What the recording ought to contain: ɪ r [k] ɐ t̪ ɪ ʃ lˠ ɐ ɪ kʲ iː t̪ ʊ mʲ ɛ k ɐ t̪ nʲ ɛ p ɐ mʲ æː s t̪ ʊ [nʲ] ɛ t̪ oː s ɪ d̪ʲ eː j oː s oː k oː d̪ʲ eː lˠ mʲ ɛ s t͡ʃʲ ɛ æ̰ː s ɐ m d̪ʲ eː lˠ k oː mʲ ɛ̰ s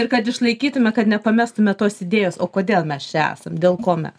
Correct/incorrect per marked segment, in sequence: correct, incorrect: mʲ

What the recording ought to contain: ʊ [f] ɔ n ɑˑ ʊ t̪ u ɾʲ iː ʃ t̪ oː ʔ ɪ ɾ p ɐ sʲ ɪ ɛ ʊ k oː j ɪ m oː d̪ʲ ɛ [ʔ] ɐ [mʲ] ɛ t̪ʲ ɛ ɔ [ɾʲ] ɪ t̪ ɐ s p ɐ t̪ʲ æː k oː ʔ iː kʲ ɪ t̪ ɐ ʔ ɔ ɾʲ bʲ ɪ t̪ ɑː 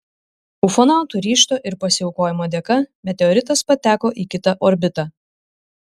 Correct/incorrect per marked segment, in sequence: correct, incorrect: k, correct, correct

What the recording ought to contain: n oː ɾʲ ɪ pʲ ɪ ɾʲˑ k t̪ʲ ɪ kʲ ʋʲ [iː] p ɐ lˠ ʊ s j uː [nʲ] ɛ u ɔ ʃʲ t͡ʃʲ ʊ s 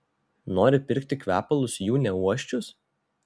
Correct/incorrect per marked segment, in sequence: incorrect: æː, correct

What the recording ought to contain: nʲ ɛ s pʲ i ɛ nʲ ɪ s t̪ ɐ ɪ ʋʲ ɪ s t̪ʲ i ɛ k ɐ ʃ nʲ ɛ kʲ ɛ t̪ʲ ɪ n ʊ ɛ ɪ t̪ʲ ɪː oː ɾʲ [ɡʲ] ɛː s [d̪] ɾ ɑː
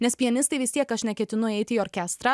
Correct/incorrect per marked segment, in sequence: incorrect: kʲ, incorrect: t̪

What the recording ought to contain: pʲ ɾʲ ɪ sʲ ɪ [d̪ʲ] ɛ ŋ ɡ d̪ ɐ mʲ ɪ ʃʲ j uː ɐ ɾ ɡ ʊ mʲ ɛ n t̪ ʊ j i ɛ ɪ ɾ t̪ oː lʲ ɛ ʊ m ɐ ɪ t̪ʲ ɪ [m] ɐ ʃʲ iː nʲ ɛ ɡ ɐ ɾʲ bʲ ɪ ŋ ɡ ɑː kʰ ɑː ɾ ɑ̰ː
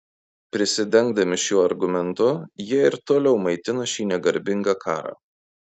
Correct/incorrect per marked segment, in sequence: correct, incorrect: n

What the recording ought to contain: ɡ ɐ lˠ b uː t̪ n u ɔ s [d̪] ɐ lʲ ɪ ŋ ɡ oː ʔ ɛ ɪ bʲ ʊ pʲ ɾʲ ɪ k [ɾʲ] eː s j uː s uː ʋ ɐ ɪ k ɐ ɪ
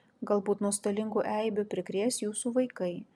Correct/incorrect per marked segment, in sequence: incorrect: t̪, correct

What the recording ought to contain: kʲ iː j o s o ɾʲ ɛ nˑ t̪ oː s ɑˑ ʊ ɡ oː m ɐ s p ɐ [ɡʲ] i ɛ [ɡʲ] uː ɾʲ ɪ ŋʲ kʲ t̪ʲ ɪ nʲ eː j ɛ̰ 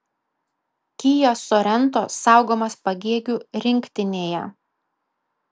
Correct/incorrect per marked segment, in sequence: correct, correct

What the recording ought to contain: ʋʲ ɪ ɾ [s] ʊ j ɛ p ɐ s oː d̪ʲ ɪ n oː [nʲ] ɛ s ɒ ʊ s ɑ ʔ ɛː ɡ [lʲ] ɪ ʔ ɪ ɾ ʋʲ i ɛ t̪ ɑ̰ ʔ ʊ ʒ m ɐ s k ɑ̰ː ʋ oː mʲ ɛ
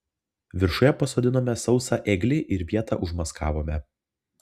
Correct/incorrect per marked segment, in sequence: incorrect: ʃ, incorrect: mʲ, correct

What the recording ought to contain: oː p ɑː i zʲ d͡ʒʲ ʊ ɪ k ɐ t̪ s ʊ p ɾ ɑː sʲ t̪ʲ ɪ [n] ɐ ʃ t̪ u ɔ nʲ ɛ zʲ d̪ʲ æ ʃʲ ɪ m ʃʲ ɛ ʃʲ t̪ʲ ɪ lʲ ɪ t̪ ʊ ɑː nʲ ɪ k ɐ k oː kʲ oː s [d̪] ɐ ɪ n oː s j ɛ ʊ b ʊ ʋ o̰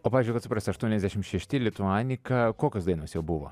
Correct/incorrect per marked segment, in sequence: incorrect: none, correct

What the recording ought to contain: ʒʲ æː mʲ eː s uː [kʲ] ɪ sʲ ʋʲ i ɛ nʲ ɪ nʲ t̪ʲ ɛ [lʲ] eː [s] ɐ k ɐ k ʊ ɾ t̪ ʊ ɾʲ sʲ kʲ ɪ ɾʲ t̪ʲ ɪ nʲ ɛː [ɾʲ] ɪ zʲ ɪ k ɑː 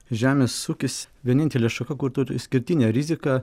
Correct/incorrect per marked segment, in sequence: correct, correct, incorrect: ʃ, correct

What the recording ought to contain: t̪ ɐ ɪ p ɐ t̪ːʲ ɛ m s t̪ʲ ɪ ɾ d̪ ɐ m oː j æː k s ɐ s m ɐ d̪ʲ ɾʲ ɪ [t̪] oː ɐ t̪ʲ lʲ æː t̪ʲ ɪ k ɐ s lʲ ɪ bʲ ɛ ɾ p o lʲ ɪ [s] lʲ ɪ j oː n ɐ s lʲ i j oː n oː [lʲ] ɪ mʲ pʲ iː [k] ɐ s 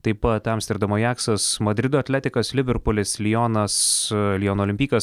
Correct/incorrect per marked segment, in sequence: incorrect: d̪, correct, correct, correct

